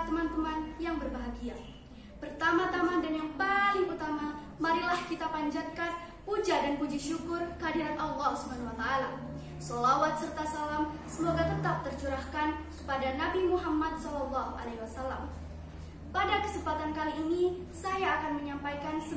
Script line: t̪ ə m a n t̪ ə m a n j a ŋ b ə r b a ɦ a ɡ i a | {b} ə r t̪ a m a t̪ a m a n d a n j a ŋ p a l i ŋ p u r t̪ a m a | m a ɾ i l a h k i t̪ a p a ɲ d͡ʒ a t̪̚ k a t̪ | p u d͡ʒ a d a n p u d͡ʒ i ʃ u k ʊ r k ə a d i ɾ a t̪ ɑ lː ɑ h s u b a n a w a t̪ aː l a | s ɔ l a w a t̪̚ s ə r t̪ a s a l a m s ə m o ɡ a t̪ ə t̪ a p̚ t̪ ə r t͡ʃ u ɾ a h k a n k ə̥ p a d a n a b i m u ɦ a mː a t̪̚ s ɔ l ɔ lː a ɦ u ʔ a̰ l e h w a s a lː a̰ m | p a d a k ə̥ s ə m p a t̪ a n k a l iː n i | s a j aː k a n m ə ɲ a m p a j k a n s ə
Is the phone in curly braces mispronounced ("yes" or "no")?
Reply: yes